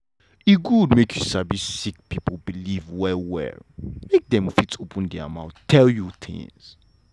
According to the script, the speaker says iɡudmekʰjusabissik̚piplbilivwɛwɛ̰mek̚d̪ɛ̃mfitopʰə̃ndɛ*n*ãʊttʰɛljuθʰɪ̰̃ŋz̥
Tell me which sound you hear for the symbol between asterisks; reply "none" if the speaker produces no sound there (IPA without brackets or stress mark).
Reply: m